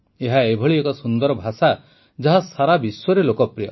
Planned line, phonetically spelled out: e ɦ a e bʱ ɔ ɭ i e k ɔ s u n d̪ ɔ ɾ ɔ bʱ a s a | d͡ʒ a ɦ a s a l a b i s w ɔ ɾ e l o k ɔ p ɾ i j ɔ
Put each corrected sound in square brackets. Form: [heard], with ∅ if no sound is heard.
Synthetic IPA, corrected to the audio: e ɦ a e bʱ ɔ ɭ i e k ɔ s u n d̪ ɔ ɾ ɔ bʱ a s a | d͡ʒ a ɦ a s a [ɾ] a b i s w ɔ ɾ e l o k ɔ p ɾ i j ɔ